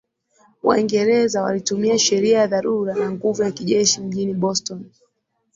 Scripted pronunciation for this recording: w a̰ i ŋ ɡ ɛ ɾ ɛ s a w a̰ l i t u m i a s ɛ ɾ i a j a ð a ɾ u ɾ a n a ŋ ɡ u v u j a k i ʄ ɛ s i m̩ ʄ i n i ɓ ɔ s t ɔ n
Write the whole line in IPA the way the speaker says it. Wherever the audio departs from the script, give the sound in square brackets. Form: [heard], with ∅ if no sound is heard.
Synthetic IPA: w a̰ i ŋ ɡ ɛ ɾ ɛ [z] a w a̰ l i t u m i a [ʃ] ɛ ɾ i a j a ð a ɾ u ɾ a n a ŋ ɡ u v u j a k i ʄ ɛ [ʃ] i m̩ ʄ i n i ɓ ɔ s t ɔ n